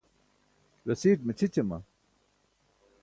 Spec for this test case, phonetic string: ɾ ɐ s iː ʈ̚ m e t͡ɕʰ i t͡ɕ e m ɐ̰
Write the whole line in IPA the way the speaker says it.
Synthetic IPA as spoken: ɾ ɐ s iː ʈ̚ m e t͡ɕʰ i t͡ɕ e m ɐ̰